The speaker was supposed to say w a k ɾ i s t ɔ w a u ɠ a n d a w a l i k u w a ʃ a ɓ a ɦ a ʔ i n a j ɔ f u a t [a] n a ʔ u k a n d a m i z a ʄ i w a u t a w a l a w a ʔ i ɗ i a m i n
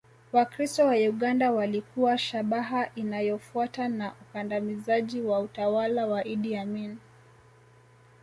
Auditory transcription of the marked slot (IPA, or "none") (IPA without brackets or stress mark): a